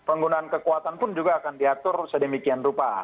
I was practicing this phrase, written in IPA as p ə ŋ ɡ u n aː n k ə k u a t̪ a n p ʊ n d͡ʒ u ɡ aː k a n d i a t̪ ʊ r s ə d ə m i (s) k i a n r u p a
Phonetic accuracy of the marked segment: incorrect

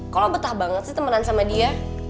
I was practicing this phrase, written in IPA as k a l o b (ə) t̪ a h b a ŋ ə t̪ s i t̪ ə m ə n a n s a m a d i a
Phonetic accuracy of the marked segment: correct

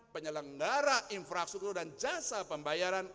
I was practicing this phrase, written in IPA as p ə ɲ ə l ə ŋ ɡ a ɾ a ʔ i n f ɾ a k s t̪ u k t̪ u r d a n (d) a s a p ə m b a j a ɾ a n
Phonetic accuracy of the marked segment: incorrect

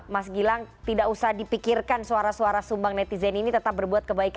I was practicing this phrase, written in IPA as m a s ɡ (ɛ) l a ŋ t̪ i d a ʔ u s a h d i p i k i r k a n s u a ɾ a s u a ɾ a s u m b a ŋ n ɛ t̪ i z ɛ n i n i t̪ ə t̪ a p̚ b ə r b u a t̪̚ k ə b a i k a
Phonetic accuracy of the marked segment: incorrect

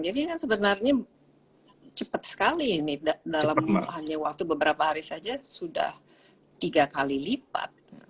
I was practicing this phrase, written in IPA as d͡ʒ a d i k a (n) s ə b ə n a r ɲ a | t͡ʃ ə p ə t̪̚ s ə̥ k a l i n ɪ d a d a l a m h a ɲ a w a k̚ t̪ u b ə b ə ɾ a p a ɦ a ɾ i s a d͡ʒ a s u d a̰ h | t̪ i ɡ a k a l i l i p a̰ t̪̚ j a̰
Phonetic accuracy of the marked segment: correct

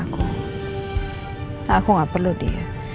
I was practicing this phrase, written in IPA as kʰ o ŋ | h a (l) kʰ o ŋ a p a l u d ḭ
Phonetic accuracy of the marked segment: incorrect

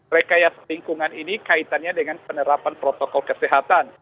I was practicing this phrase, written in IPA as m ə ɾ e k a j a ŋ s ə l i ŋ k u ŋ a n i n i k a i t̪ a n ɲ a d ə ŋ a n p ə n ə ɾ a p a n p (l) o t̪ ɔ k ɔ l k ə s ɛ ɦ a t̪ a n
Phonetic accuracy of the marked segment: incorrect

